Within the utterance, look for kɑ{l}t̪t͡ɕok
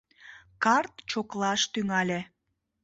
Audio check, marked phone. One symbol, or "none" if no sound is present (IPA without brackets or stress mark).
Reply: r